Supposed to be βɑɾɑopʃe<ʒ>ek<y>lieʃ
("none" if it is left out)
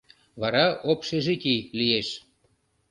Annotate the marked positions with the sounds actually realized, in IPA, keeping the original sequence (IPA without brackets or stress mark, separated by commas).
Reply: ʒ, i